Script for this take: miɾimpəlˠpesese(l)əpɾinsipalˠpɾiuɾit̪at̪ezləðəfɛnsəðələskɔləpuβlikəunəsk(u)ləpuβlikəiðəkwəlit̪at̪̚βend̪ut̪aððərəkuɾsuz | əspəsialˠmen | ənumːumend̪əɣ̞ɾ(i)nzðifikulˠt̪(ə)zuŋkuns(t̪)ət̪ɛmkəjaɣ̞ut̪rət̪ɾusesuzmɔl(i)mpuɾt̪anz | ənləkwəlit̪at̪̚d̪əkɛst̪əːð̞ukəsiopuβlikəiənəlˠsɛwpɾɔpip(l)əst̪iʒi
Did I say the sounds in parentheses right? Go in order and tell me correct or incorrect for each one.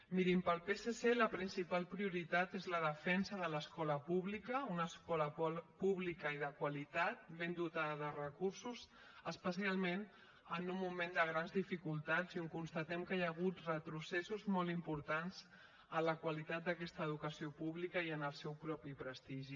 correct, incorrect: ɔ, incorrect: a, incorrect: a, correct, correct, incorrect: ɾ

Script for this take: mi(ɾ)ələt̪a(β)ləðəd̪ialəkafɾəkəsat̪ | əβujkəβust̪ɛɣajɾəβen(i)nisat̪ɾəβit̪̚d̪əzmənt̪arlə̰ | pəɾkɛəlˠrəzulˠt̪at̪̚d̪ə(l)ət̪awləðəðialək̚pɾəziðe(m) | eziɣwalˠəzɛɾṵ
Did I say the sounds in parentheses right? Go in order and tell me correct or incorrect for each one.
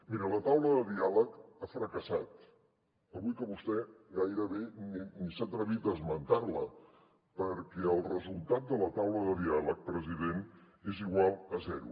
correct, incorrect: w, correct, correct, incorrect: n

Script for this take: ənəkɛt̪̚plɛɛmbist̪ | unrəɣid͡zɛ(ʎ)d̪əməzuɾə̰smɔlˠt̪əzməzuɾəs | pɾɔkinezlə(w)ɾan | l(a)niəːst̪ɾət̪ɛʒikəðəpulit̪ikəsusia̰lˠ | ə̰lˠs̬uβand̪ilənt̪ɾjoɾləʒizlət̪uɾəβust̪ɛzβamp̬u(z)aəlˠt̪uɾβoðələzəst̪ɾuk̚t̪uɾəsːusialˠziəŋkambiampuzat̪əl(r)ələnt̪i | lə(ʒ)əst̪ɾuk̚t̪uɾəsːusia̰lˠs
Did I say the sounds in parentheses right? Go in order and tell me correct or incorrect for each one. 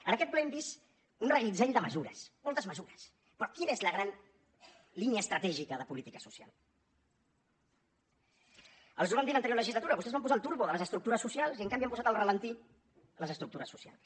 correct, incorrect: ɣ, incorrect: i, correct, correct, incorrect: z

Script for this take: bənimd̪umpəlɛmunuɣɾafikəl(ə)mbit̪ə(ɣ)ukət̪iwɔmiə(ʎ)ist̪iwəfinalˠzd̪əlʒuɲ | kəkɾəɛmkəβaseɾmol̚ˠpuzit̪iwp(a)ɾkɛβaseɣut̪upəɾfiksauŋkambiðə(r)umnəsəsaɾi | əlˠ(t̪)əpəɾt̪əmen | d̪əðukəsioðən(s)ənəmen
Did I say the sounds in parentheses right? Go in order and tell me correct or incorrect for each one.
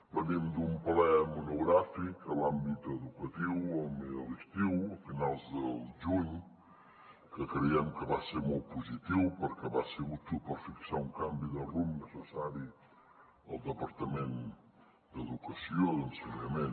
incorrect: a, incorrect: ð, incorrect: l, incorrect: ə, correct, incorrect: d̪, correct

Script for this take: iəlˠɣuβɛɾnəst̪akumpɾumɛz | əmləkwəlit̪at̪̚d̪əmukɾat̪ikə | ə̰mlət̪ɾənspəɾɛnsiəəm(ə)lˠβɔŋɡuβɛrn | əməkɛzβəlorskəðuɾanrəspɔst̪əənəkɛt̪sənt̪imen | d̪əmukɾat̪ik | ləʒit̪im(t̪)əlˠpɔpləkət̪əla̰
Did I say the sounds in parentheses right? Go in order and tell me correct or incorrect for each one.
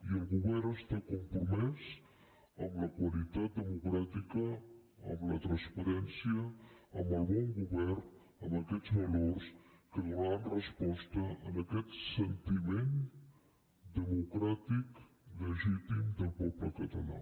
correct, incorrect: d̪

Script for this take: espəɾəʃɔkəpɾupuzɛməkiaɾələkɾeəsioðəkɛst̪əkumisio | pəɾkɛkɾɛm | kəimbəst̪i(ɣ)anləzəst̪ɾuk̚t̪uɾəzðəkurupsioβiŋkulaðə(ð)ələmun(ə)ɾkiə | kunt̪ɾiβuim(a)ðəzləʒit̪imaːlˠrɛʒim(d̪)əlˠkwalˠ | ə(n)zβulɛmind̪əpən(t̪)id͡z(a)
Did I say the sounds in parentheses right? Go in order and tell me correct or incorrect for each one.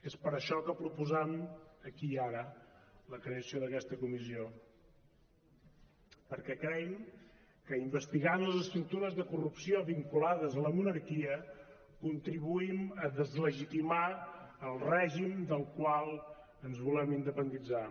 correct, incorrect: z, correct, incorrect: ə, correct, correct, incorrect: d̪, correct

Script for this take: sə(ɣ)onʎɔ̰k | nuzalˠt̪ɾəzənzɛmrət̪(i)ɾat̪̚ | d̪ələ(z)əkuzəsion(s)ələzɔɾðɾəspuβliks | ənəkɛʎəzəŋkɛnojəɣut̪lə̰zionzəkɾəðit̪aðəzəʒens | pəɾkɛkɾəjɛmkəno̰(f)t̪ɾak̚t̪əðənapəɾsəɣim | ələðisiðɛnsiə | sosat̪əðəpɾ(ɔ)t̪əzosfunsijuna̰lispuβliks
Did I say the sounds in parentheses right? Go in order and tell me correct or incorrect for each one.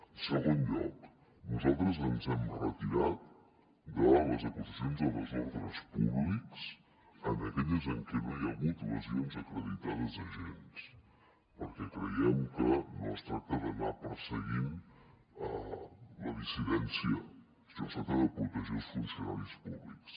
correct, correct, correct, incorrect: z, incorrect: s, incorrect: u

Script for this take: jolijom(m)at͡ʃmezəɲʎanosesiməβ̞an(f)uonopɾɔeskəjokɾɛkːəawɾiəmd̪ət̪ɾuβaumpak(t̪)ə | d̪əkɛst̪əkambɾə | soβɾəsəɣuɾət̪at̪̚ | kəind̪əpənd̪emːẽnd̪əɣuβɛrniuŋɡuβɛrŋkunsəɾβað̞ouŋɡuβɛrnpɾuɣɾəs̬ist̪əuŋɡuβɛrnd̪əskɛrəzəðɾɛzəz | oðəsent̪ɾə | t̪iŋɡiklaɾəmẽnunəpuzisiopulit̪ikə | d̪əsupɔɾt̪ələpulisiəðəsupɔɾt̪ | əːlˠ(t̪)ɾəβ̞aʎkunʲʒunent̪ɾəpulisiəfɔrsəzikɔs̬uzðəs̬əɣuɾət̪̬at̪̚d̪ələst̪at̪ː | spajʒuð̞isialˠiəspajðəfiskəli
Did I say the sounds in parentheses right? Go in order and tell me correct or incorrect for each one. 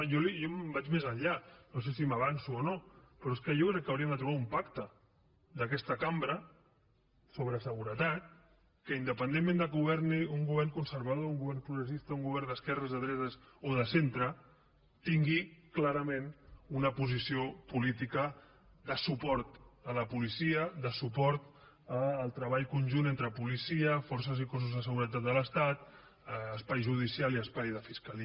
incorrect: b, incorrect: s, correct, correct

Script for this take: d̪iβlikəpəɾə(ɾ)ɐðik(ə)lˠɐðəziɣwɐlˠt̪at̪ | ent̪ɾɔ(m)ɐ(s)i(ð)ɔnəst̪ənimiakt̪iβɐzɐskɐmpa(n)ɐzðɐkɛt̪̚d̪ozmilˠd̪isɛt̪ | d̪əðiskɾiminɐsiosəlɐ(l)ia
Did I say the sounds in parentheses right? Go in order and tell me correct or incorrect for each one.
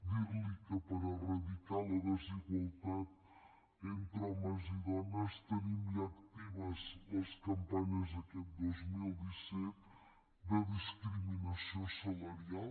incorrect: r, incorrect: a, correct, incorrect: z, correct, incorrect: ɲ, incorrect: ɾ

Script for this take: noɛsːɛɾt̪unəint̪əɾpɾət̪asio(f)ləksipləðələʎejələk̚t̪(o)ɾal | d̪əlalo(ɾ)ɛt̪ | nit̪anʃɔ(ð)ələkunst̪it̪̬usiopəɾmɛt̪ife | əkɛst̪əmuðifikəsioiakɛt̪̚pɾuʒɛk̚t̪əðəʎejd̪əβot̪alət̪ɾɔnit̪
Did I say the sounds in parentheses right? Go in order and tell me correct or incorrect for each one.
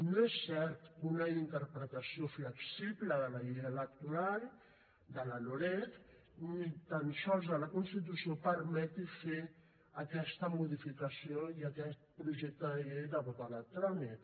correct, incorrect: u, correct, incorrect: z

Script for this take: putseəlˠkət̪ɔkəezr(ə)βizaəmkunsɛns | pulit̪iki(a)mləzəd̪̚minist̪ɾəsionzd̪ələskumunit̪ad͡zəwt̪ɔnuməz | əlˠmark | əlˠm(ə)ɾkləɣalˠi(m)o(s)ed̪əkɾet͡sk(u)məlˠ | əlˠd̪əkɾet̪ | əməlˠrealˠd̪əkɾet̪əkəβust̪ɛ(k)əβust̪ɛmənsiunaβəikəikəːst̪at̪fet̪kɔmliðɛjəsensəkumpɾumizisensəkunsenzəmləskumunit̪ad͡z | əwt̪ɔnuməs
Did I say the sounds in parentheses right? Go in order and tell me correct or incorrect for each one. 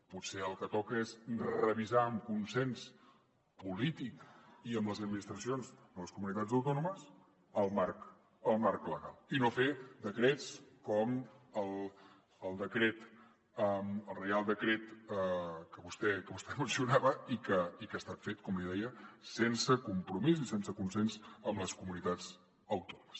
correct, incorrect: ə, incorrect: a, incorrect: n, incorrect: f, incorrect: ɔ, correct

